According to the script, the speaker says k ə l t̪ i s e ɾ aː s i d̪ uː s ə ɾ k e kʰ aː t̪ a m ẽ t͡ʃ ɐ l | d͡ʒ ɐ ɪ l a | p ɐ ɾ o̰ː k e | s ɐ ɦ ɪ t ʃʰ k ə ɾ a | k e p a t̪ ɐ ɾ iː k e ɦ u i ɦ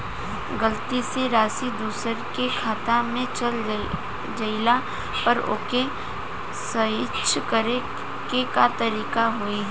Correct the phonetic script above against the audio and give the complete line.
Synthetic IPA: ɡ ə l t̪ i s e ɾ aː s i d̪ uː s ə ɾ k e kʰ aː t̪ a m ẽ t͡ʃ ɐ l | d͡ʒ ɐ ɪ l a | p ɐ ɾ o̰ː k e | s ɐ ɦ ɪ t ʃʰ k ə ɾ e | k e k a t̪ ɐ ɾ iː k a ɦ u i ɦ